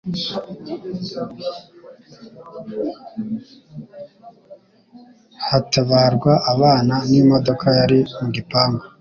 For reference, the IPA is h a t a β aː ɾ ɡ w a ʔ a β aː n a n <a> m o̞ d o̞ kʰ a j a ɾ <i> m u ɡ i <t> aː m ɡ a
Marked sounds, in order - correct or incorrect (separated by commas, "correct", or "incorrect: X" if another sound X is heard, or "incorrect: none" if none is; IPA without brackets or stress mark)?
incorrect: i, correct, incorrect: p